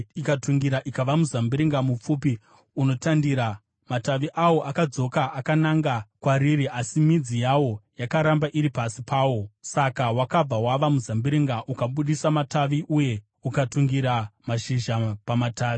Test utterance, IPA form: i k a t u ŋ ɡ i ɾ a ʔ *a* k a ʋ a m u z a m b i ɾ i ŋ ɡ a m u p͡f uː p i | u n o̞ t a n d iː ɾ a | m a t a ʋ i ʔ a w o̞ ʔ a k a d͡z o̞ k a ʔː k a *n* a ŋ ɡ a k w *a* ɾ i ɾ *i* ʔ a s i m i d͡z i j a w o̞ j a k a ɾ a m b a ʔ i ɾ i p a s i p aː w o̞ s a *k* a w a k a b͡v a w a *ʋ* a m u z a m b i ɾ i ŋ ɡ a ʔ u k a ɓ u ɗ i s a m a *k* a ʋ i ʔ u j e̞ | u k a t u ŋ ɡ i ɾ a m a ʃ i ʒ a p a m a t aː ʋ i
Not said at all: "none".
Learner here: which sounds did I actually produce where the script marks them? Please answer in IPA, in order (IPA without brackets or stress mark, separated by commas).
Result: i, n, a, i, k, ʋ, t